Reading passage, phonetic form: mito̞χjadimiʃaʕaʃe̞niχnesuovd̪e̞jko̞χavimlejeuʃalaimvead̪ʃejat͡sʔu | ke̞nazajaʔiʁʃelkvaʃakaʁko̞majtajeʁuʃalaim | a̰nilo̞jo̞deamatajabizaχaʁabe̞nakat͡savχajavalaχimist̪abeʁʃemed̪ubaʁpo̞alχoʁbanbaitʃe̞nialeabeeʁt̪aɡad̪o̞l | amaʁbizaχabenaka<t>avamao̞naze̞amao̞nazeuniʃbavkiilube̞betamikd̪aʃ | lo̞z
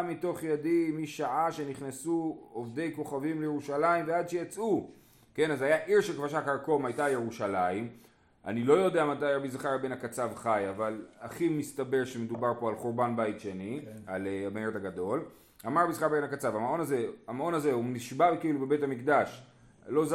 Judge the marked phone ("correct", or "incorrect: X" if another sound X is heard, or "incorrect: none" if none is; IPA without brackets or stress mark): incorrect: t͡s